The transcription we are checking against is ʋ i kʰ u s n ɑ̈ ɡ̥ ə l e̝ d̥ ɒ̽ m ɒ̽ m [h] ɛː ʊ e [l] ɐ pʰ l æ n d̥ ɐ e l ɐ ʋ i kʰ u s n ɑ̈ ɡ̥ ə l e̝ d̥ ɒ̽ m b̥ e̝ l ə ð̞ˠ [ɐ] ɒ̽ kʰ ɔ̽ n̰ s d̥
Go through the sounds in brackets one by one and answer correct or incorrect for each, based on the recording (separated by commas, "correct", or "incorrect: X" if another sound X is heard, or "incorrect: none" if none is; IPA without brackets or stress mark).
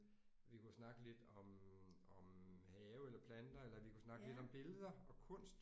correct, correct, correct